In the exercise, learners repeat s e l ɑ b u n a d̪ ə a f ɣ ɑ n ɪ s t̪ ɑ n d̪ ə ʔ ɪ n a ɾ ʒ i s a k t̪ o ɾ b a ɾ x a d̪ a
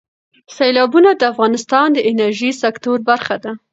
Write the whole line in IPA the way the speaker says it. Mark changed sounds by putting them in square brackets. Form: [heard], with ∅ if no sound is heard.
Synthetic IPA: s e l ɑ b u n a d̪ ə a f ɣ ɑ n ɪ s t̪ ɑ n d̪ ə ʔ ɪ n a ɾ ʒ i s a k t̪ o ɾ b a ɾ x a d̪ a

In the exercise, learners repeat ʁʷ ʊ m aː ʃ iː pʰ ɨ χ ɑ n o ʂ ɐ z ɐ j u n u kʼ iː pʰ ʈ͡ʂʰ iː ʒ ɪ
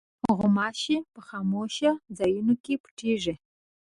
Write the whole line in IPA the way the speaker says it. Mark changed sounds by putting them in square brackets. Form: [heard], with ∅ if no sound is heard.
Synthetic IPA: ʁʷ ʊ m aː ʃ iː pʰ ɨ χ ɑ [m] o [ʃ] ɐ z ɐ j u n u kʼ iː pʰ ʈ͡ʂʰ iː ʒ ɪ

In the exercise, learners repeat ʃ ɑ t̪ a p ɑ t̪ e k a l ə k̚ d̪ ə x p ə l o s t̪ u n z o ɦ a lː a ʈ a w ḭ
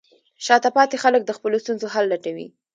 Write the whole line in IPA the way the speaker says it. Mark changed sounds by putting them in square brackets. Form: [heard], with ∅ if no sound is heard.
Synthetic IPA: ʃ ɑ t̪ a p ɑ t̪ e [x] a l ə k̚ d̪ ə x p ə l o s t̪ u n z o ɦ a lː a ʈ a w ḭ

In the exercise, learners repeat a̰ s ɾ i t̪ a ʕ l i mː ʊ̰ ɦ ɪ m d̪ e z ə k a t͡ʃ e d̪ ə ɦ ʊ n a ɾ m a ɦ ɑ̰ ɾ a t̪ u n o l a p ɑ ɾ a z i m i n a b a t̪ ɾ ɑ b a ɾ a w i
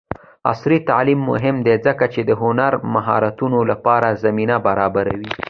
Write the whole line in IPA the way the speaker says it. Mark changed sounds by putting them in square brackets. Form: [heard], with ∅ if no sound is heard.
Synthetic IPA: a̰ s ɾ i t̪ a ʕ l i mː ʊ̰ ɦ ɪ m d̪ e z ə k a t͡ʃ e d̪ ə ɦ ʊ n a ɾ m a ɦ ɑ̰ ɾ a t̪ u n o l a p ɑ ɾ a z [a] m i n a b a [∅] ɾ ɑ b a ɾ a w i

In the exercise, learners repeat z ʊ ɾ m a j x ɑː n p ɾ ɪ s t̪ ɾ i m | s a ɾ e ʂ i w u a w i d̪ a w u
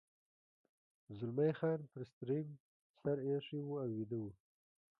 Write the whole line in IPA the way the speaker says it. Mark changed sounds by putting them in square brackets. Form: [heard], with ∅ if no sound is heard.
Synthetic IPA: z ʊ [l] m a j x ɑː n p ɾ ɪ s t̪ ɾ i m | s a ɾ e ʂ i w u a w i d̪ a w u

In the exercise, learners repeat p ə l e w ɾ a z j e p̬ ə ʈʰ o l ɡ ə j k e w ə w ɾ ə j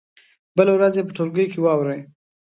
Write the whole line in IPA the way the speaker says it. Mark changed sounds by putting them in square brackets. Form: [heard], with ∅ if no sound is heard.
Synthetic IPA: [b] ə l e w ɾ a z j e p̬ ə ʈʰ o l ɡ ə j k e w [ɑ] w ɾ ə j

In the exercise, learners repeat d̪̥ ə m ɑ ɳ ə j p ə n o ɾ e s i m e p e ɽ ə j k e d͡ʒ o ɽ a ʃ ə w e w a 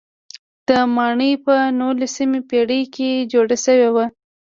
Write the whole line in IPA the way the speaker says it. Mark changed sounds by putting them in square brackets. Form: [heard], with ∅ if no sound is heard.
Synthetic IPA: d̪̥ ə m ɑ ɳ ə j p ə n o [l] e s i m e p e ɽ ə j k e d͡ʒ o ɽ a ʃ ə w e w a

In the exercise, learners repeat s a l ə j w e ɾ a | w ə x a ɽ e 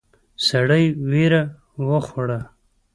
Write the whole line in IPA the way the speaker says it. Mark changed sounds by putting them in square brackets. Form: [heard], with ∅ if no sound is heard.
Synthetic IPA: s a [ɽ] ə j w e ɾ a | w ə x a ɽ [a]

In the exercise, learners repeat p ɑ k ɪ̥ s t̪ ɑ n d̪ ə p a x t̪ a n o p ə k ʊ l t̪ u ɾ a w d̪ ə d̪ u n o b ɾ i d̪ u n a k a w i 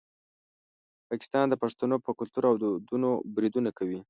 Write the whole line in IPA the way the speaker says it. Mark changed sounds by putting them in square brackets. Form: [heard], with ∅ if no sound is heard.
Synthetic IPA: p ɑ k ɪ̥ s t̪ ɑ n d̪ ə p a [ʂ] t̪ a n o p ə k ʊ l t̪ u ɾ a w d̪ ə d̪ u n o b ɾ i d̪ u n a k a w i

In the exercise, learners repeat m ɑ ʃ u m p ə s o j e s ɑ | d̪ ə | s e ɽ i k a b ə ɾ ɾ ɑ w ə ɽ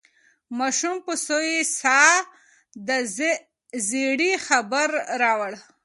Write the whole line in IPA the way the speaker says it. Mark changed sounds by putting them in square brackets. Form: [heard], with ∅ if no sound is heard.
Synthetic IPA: m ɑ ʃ u m p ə s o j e s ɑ | d̪ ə | [z] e ɽ i [x] a b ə ɾ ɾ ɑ w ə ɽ

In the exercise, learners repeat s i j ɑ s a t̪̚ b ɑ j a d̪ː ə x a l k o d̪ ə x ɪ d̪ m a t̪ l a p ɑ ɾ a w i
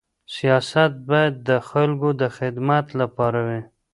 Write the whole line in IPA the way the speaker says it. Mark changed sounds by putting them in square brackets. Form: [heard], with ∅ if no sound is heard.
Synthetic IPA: s i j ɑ s a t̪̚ b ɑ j a d̪ː ə x a l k o d̪ ə x ɪ d̪ m a t̪ l a p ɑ ɾ a w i

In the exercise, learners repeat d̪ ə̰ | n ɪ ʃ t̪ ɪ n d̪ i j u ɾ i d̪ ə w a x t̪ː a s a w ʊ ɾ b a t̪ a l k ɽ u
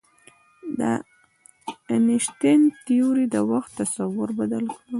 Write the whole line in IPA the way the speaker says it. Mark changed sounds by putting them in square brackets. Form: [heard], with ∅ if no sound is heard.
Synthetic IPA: d̪ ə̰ | n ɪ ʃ t̪ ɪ n [t̪] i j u ɾ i d̪ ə w a x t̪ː a s a w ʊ ɾ b a [d̪] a l k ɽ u

